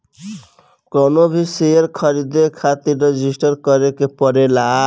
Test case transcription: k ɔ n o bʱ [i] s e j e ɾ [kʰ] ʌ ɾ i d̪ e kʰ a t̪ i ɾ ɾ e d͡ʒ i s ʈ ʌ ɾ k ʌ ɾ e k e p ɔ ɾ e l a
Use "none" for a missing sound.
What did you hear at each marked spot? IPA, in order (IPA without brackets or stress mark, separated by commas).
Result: i, kʰ